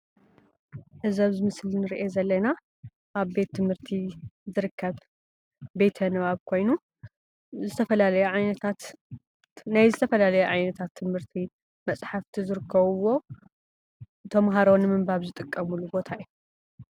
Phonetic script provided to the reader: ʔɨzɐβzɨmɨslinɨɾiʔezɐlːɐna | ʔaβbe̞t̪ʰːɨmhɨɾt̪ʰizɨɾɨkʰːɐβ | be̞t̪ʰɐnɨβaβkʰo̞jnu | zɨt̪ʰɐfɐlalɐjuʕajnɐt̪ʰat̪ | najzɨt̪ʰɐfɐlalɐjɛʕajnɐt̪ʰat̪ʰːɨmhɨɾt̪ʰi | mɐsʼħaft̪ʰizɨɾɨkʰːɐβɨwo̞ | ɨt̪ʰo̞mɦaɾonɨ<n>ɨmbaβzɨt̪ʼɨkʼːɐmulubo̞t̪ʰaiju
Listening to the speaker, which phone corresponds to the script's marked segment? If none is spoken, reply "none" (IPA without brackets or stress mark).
m